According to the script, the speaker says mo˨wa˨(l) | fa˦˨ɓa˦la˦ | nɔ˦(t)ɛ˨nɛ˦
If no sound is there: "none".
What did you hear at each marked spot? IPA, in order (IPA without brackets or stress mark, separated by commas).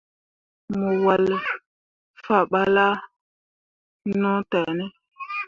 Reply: l, t